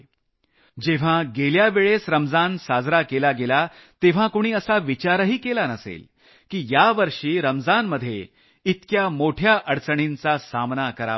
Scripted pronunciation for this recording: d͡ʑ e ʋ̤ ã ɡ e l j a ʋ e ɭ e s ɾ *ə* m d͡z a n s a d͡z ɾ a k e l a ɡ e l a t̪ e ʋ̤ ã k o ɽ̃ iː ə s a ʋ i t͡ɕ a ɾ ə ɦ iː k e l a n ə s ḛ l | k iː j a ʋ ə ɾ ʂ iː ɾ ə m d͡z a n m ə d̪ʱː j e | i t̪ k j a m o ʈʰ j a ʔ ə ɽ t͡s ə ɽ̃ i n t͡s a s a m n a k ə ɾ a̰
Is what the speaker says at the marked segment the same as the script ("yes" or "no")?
yes